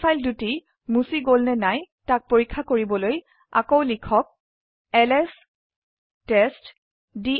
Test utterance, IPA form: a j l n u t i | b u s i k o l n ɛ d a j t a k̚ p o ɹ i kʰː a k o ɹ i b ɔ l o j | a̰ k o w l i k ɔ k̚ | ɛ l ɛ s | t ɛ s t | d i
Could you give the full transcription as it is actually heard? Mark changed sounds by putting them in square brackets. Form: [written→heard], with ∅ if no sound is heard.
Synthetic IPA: a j l [n→d] u t i | [b→m] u s i [k→ɡ] o l n ɛ [d→n] a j t a k̚ p o ɹ i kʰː a k o ɹ i b ɔ l o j | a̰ k o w l i [k→kʰ] ɔ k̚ | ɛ l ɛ s | t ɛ s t | d i